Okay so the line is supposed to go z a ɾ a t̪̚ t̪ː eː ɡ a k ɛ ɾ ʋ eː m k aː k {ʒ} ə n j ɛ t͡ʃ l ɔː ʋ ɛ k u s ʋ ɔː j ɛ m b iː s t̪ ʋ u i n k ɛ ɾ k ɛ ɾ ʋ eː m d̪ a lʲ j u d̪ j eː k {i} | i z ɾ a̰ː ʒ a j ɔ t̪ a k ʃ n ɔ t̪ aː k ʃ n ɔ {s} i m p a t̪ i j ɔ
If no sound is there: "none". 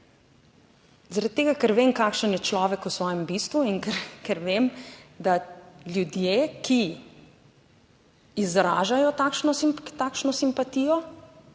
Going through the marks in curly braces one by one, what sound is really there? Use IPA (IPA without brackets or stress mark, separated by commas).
ʃ, i, s